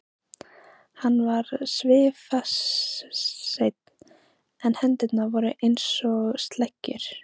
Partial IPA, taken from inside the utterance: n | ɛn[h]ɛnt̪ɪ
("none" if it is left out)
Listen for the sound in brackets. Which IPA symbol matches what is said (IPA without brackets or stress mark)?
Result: h